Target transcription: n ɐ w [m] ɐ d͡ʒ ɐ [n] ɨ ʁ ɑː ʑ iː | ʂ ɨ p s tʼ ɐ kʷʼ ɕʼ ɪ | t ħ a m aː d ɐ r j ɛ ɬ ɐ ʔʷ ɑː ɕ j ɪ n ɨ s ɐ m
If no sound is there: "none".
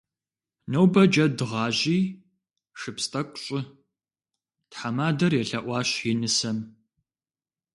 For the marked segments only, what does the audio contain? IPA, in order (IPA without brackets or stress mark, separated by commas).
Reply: b, d